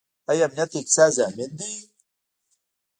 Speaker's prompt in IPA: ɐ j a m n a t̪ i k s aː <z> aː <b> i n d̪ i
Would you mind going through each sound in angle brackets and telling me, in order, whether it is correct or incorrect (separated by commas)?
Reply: correct, incorrect